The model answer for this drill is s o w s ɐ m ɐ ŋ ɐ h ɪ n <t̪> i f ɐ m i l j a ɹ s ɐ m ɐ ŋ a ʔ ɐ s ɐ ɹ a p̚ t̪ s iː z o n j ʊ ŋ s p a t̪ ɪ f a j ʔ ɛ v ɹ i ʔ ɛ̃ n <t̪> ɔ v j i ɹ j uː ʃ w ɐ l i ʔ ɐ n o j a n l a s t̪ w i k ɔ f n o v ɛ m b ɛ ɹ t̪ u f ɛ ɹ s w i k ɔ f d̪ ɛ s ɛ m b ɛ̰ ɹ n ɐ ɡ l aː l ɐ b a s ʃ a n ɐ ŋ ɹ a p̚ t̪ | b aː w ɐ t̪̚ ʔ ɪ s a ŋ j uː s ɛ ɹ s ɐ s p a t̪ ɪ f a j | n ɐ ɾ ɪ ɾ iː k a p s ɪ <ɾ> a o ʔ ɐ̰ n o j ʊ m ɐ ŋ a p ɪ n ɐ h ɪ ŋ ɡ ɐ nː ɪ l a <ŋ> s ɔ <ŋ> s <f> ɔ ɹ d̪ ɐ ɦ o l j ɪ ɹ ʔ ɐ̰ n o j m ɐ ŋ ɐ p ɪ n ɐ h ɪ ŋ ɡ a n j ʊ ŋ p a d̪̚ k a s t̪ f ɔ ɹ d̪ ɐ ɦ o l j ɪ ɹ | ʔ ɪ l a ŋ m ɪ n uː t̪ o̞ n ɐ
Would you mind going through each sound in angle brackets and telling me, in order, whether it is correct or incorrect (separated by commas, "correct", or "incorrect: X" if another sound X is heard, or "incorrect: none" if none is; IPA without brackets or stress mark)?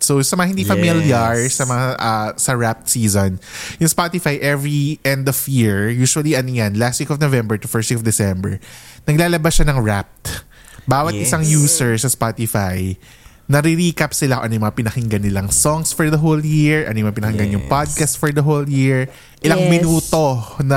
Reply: incorrect: d̪, incorrect: d̪, incorrect: l, correct, correct, correct